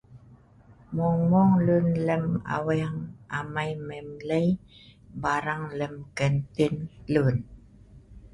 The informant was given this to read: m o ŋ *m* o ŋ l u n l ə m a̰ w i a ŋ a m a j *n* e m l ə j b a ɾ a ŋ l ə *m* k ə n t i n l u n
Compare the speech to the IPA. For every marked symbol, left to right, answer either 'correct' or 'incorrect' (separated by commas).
correct, incorrect, correct